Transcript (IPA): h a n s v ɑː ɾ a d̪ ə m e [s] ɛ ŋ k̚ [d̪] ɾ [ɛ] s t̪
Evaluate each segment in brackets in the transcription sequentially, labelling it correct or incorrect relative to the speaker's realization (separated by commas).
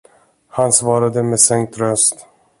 correct, incorrect, incorrect